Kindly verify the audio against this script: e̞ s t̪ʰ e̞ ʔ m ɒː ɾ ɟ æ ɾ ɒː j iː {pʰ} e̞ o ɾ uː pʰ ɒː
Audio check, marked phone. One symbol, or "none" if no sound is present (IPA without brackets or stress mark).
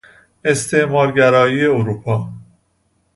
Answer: none